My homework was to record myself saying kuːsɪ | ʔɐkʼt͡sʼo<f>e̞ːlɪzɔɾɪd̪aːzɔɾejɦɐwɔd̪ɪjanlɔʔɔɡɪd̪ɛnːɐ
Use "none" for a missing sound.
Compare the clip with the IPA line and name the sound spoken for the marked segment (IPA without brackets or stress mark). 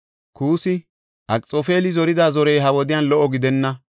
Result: f